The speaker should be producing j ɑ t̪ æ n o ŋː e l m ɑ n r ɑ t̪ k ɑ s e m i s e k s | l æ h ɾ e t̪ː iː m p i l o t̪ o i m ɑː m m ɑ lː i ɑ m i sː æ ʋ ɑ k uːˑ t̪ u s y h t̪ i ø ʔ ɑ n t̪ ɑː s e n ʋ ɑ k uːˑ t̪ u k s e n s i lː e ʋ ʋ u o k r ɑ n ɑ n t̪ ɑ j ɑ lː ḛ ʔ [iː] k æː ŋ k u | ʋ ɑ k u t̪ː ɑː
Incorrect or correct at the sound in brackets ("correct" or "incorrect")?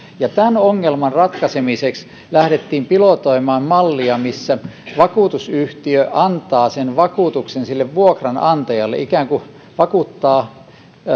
incorrect